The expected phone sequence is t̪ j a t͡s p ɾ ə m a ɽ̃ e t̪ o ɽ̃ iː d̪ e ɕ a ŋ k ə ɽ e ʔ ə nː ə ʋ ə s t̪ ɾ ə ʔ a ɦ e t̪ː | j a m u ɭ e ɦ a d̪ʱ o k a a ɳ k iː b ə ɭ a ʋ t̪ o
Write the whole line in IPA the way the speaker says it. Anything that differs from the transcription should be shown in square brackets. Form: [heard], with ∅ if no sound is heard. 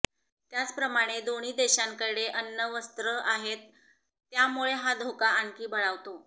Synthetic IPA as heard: t̪ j a t͡s p ɾ ə m a ɽ̃ e [d̪] o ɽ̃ iː d̪ e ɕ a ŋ k ə ɽ e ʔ ə nː ə ʋ ə s t̪ ɾ ə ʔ a ɦ e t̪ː | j a m u ɭ e ɦ a d̪ʱ o k a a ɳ k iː b ə ɭ a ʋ t̪ o